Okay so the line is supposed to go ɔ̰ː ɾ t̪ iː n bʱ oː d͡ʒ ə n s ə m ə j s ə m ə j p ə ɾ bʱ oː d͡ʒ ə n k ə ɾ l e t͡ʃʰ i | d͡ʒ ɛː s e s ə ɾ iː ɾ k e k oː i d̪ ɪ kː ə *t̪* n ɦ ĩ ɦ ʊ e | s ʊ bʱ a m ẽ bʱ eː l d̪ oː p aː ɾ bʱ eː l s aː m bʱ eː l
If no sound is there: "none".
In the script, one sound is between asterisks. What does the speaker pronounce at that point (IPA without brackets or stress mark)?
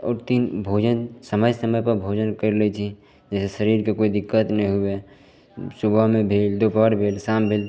t̪